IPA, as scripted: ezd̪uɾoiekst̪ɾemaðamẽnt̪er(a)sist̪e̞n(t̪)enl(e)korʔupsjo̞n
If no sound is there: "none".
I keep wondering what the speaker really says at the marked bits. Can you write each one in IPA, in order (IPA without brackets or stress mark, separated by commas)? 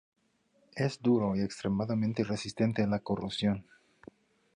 e, t̪, a